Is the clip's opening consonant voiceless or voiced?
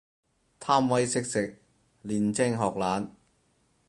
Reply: voiceless